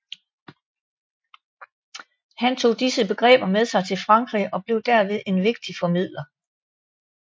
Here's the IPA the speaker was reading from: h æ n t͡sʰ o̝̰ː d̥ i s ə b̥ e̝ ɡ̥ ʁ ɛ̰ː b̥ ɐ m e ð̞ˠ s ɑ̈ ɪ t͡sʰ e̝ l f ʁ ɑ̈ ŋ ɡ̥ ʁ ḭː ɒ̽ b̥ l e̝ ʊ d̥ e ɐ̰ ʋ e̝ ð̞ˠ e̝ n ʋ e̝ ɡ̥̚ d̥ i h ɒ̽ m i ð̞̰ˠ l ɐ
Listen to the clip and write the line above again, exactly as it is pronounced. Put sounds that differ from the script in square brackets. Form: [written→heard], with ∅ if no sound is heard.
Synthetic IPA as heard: h æ n t͡sʰ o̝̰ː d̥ i s ə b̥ e̝ ɡ̥ ʁ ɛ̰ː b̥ ɐ m e ð̞ˠ s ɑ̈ ɪ t͡sʰ e̝ l f ʁ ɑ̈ ŋ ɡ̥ ʁ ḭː ɒ̽ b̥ l e̝ ʊ d̥ [e→æ] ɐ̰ ʋ e̝ ð̞ˠ e̝ n ʋ e̝ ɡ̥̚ d̥ i [h→f] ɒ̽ m i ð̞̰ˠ l ɐ